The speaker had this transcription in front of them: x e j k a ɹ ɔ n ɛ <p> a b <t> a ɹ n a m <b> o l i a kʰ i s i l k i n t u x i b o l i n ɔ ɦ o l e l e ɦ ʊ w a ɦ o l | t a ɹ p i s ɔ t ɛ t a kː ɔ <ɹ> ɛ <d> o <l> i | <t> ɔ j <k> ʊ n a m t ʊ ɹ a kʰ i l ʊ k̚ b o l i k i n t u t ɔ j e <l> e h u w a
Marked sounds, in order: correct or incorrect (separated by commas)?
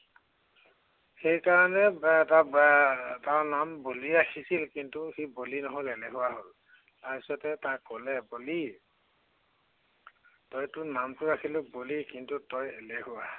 incorrect, correct, correct, incorrect, incorrect, correct, correct, incorrect, correct